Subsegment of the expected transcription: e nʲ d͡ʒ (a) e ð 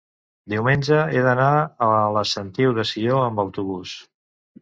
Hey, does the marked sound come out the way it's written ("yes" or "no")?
no